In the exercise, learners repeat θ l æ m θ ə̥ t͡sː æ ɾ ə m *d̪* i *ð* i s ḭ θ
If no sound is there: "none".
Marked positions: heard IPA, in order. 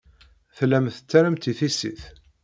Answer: t̪, θ

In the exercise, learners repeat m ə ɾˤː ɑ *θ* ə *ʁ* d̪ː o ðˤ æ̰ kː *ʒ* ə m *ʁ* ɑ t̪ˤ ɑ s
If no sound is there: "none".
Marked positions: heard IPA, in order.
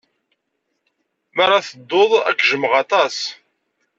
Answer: θ, none, ʒ, ʁ

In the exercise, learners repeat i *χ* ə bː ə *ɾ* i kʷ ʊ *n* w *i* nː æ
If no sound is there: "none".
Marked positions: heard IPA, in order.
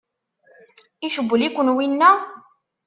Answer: ʃ, l, n, i

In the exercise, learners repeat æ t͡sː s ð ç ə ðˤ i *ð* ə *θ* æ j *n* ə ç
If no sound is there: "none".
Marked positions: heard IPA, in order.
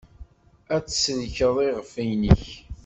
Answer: ʁ, f, n

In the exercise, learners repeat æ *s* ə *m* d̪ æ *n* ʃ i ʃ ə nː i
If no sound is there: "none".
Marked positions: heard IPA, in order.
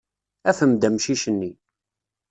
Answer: f, m, m

